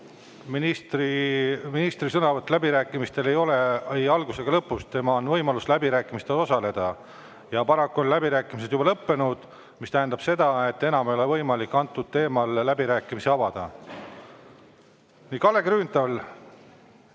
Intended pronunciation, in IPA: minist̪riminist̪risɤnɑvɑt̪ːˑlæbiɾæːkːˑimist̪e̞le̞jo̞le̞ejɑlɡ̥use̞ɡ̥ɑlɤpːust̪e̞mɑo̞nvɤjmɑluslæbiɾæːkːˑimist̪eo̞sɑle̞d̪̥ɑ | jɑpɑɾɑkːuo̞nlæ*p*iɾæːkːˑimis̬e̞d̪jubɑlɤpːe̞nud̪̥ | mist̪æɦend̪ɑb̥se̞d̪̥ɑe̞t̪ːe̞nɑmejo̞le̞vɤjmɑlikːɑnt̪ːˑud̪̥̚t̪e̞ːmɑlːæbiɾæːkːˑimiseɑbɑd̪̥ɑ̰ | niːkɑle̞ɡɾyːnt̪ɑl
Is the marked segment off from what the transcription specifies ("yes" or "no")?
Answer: yes